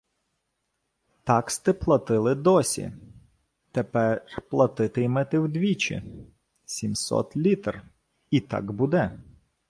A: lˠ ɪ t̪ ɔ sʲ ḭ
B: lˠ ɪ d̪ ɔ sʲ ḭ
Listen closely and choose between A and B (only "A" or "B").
B